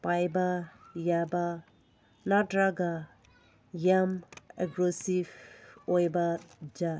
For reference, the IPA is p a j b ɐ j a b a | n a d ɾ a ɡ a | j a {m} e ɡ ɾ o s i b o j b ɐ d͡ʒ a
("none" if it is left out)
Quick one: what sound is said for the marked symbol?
m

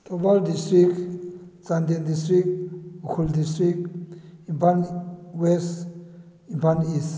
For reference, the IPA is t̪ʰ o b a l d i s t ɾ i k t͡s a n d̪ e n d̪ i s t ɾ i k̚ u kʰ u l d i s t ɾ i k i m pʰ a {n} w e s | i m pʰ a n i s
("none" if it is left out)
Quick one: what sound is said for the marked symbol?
n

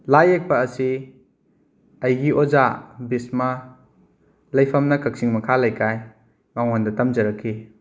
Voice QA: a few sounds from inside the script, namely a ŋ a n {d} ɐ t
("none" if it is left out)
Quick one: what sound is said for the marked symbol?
d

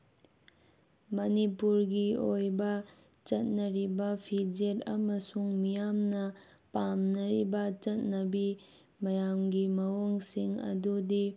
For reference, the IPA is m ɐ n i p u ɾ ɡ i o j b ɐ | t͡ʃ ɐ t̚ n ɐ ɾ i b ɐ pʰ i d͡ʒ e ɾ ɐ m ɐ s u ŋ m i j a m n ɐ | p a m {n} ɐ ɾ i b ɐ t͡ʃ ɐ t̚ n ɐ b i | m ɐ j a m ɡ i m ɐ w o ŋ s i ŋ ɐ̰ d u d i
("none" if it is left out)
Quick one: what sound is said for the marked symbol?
n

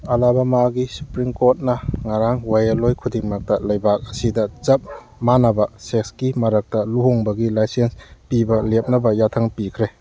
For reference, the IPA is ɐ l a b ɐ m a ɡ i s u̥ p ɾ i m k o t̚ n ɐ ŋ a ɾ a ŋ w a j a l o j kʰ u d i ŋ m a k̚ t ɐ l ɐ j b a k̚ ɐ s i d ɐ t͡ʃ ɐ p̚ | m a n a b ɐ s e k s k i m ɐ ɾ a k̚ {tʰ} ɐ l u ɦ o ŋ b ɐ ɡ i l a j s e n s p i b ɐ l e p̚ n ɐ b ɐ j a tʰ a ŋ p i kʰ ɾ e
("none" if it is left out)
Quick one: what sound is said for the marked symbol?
t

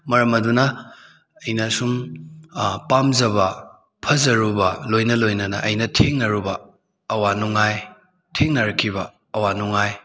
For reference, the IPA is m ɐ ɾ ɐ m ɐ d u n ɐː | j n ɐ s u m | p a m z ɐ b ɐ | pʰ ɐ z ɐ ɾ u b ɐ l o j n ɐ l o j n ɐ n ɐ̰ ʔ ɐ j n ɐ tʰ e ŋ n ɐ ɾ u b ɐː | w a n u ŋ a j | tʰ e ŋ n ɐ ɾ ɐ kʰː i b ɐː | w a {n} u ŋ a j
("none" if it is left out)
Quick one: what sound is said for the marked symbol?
n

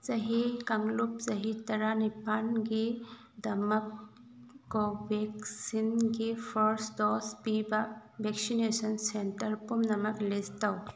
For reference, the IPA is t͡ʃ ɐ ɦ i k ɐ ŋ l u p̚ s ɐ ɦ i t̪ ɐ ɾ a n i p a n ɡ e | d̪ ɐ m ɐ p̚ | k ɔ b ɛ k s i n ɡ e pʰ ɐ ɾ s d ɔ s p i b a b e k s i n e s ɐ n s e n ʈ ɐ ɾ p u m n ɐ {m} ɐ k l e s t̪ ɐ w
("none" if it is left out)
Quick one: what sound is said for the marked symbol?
m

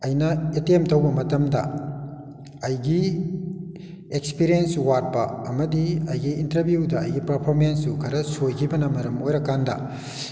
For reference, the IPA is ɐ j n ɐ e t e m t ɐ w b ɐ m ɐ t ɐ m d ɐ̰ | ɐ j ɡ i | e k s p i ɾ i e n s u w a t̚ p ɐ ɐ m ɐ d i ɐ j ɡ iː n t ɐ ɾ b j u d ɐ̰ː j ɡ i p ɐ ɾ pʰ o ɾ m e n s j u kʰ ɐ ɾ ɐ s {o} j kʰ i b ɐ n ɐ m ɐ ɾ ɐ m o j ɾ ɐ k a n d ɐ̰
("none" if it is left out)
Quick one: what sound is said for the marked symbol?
o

